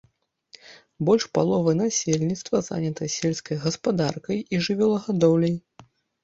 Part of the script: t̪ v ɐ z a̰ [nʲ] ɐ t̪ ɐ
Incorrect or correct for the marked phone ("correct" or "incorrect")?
correct